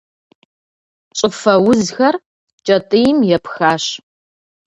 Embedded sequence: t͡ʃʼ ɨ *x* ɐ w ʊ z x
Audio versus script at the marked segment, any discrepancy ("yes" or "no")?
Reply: yes